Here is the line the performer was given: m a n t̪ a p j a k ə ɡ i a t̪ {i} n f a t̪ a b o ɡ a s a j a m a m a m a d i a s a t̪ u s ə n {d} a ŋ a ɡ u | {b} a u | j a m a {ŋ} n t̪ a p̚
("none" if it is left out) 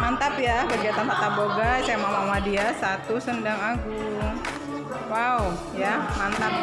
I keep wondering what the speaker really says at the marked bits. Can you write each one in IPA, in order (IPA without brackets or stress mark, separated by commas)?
a, d, w, none